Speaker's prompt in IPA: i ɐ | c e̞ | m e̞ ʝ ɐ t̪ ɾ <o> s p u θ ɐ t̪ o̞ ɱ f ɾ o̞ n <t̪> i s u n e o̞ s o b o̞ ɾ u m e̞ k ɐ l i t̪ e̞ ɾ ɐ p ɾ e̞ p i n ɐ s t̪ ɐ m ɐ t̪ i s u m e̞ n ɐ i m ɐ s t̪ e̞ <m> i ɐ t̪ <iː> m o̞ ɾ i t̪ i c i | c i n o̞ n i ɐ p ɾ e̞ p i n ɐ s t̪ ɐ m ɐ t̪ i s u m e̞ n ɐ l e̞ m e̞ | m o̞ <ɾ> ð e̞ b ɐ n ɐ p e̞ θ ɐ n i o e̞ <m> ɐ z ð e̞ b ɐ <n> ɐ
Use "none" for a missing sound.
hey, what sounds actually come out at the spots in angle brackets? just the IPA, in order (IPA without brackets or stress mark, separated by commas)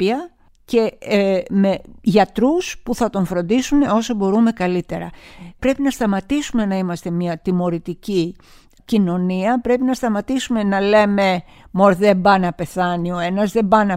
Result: u, d̪, m, i, ɾ, n, n